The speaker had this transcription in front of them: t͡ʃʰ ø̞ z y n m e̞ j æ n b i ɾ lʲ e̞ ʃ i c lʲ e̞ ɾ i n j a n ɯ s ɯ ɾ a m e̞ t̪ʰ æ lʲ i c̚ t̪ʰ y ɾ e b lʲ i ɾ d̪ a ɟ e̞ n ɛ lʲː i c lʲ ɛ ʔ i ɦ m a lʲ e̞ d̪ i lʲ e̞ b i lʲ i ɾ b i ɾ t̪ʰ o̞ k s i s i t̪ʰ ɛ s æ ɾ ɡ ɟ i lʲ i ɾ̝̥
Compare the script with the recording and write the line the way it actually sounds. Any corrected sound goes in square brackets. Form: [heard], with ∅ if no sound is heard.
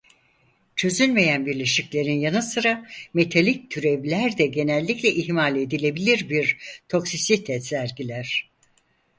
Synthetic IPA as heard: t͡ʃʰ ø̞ z y n m e̞ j æ n b i ɾ lʲ e̞ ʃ i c lʲ e̞ ɾ i n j a n ɯ s ɯ ɾ a m e̞ t̪ʰ [a] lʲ i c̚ t̪ʰ y ɾ e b lʲ [æ] ɾ d̪ [ɛ] ɟ e̞ n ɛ lʲː i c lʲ ɛ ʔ i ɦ m a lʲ e̞ d̪ i lʲ e̞ b i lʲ i ɾ b i ɾ t̪ʰ o̞ k s i s i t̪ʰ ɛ s æ ɾ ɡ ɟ i lʲ [æ] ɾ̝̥

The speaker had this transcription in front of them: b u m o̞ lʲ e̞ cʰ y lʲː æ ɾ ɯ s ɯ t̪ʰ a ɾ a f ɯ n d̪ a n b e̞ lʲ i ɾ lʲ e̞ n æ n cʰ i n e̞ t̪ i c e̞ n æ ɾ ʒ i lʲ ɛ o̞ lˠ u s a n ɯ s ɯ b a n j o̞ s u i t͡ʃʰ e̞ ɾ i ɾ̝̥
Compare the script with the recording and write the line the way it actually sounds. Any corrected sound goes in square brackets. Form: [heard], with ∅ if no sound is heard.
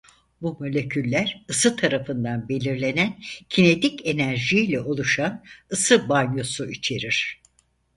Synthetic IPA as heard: b u m o̞ lʲ e̞ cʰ y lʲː æ ɾ ɯ s ɯ t̪ʰ a ɾ a f ɯ n d̪ a n b e̞ lʲ i ɾ lʲ e̞ n æ n cʰ i n e̞ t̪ i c e̞ n æ ɾ ʒ i lʲ ɛ o̞ lˠ u [ʃ] a n ɯ s ɯ b a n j o̞ s u i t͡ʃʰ e̞ ɾ i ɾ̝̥

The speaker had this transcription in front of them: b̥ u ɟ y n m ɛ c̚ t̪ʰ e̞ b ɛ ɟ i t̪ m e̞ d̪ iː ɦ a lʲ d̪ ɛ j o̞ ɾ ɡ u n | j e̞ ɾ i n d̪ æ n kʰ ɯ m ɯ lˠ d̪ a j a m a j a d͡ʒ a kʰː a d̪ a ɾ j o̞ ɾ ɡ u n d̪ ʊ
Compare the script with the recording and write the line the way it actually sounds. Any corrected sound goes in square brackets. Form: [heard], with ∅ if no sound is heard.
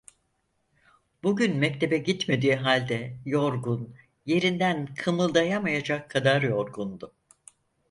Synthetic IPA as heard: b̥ u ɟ y n m ɛ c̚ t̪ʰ e̞ b ɛ ɟ i t̪ m e̞ d̪ iː ɦ a lʲ d̪ ɛ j o̞ ɾ ɡ u n | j e̞ ɾ i n d̪ æ n kʰ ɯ m ɯ lˠ d̪ a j a m a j a d͡ʒ a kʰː a d̪ a ɾ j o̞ ɾ ɡ u n d̪ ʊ

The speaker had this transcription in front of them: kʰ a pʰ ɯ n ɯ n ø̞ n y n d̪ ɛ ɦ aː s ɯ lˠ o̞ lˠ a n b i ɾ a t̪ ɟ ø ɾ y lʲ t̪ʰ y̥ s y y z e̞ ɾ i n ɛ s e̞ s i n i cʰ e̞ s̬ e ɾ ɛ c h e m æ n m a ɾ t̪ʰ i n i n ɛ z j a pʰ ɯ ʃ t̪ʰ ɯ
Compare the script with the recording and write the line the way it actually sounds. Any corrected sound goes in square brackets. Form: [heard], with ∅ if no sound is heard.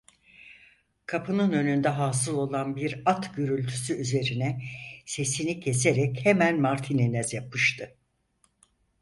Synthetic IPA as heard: kʰ a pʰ ɯ n ɯ n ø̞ n y n d̪ ɛ ɦ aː s ɯ lˠ o̞ lˠ a n b i ɾ a t̪ ɟ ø ɾ y lʲ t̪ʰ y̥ s y y z e̞ ɾ i n ɛ s e̞ s i n i cʰ e̞ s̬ e ɾ ɛ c h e m æ n m a ɾ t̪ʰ i n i n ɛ z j a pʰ ɯ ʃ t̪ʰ ɯ

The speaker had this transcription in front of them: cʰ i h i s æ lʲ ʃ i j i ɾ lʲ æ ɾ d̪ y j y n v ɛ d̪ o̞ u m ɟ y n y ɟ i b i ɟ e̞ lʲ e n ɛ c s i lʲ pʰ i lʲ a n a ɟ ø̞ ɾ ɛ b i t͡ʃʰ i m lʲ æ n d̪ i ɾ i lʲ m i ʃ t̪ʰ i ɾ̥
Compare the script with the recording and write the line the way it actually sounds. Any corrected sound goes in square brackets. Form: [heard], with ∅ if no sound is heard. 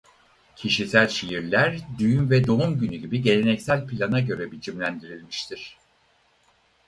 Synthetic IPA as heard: cʰ i [ʃ] i s æ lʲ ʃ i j i ɾ lʲ æ ɾ d̪ y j y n v ɛ d̪ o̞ u m ɟ y n y ɟ i b i ɟ e̞ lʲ e n ɛ c s [æ] lʲ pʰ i lʲ a n a ɟ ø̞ ɾ ɛ b i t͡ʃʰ i m lʲ æ n d̪ i ɾ i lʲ m i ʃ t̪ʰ i ɾ̥

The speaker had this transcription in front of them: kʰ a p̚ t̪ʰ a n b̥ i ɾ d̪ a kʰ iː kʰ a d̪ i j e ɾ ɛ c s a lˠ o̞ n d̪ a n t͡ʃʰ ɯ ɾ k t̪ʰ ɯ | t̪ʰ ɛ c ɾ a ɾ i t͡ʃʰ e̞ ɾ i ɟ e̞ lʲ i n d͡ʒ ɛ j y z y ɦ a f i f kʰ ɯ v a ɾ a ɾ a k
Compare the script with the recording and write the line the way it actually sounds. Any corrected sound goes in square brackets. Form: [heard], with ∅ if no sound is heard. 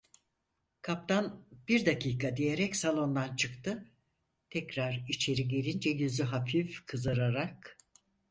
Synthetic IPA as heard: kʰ a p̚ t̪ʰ a n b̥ i ɾ d̪ a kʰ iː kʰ a d̪ i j e ɾ ɛ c s a lˠ o̞ n d̪ a n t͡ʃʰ ɯ [∅] k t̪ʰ ɯ | t̪ʰ ɛ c ɾ a ɾ i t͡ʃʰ e̞ ɾ i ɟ e̞ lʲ i n d͡ʒ ɛ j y z y ɦ a f i f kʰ ɯ [z] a ɾ a ɾ a k

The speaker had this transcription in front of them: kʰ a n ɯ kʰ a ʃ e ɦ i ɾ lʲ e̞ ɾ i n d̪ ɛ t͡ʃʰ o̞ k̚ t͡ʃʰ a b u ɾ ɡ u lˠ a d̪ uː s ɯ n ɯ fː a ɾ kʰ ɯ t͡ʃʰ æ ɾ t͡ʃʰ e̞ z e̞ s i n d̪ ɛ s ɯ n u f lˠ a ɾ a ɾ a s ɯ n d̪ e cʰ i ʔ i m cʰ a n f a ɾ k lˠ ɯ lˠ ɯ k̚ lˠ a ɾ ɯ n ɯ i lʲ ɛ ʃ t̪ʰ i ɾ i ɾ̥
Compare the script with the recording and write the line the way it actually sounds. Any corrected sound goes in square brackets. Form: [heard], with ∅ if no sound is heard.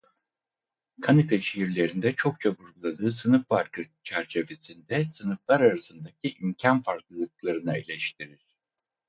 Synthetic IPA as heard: kʰ a n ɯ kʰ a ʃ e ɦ i ɾ lʲ e̞ ɾ i n d̪ ɛ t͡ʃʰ o̞ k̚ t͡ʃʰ a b u ɾ ɡ u lˠ a d̪ [ɯː] s ɯ n ɯ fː a ɾ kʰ ɯ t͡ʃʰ æ ɾ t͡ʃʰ e̞ [v] e̞ s i n d̪ ɛ s ɯ n [ɯ] f lˠ a ɾ a ɾ a s ɯ n d̪ [a] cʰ i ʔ i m cʰ a n f a ɾ k lˠ ɯ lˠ ɯ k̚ lˠ a ɾ ɯ n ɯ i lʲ ɛ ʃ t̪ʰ i ɾ i ɾ̥

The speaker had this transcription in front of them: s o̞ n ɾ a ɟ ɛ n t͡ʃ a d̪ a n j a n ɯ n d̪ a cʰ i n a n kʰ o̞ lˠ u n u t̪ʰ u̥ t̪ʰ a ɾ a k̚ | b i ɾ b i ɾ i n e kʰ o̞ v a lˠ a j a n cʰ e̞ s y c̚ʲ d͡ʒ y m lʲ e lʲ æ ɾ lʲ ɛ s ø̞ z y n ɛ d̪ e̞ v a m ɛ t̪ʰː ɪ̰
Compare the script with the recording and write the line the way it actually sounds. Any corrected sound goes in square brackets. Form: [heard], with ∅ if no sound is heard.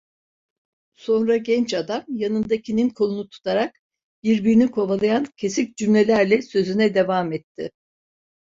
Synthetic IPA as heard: s o̞ n ɾ a ɟ ɛ n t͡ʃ a d̪ a [m] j a n ɯ n d̪ a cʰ i n [i] n kʰ o̞ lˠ u n u t̪ʰ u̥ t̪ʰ a ɾ a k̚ | b i ɾ b i ɾ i n [i] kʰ o̞ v a lˠ a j a n cʰ e̞ s [i] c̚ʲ d͡ʒ y m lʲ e lʲ æ ɾ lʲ ɛ s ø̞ z y n ɛ d̪ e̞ v a m ɛ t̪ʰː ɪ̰

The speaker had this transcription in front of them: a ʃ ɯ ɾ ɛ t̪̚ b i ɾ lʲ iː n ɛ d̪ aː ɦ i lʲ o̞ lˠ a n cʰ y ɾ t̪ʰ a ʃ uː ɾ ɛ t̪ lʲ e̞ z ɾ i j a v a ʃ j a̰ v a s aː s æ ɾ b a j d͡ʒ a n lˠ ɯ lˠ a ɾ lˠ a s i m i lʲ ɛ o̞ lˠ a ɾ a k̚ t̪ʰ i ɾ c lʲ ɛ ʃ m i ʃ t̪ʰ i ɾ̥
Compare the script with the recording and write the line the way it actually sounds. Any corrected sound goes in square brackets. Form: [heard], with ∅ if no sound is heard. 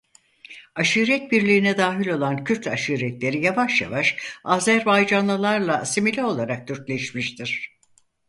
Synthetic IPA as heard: a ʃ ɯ ɾ ɛ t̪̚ b i ɾ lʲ iː n ɛ d̪ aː ɦ i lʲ o̞ lˠ a n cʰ y ɾ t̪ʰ a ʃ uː ɾ ɛ t̪ lʲ e̞ [∅] ɾ i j a v a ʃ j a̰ v a [ʃ] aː [z] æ ɾ b a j d͡ʒ a n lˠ ɯ lˠ a ɾ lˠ a s i m i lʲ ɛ o̞ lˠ a ɾ a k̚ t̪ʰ [y] ɾ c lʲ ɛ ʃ m i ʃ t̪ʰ i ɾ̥

